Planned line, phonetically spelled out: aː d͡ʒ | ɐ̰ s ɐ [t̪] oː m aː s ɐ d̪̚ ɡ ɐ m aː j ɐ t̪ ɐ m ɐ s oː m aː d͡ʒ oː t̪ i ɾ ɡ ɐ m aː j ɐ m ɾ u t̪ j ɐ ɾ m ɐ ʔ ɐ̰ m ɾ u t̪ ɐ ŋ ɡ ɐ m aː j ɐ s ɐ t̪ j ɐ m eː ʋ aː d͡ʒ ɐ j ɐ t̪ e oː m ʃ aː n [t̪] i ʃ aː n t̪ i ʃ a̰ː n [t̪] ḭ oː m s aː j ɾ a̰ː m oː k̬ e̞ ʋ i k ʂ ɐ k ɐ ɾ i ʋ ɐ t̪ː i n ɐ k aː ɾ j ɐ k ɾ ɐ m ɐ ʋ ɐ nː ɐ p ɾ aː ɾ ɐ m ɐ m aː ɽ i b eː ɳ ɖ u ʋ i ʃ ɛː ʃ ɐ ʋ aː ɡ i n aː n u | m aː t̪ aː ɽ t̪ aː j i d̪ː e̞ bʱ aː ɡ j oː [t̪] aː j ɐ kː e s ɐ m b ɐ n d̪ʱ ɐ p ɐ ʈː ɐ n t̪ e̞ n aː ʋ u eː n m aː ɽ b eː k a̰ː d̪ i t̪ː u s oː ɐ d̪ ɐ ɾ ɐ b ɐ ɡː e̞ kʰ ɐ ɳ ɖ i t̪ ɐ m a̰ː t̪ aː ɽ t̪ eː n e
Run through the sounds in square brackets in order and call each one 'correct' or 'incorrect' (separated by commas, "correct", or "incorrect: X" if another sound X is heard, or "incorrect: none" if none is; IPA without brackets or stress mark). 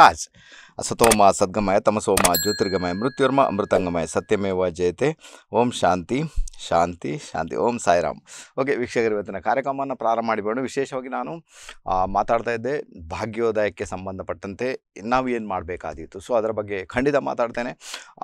correct, correct, correct, incorrect: d̪